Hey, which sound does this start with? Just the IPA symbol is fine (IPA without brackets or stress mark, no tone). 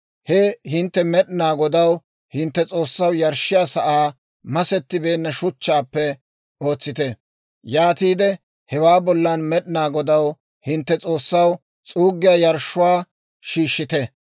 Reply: h